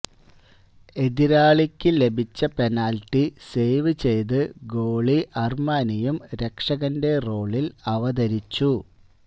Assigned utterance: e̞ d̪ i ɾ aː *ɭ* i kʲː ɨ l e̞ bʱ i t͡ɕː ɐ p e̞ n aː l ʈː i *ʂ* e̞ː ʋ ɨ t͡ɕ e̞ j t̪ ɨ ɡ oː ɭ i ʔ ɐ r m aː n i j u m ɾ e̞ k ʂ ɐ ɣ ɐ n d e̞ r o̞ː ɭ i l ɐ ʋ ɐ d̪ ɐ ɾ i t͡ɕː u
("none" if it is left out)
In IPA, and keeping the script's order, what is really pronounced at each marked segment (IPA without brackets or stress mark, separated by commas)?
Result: ɭ, s